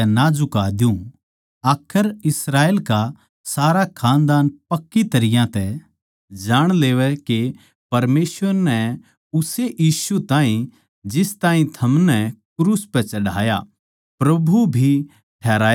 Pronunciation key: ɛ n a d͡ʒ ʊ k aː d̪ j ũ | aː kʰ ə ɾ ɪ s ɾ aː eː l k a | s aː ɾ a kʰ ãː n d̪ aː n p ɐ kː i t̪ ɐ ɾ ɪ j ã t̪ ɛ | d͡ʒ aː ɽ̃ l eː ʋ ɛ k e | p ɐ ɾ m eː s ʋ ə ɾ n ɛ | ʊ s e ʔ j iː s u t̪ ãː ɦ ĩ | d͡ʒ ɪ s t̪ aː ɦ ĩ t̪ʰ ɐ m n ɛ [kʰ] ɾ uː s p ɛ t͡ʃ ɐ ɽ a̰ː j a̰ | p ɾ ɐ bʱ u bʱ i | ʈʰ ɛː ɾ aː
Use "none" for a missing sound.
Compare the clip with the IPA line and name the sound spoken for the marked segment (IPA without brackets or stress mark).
k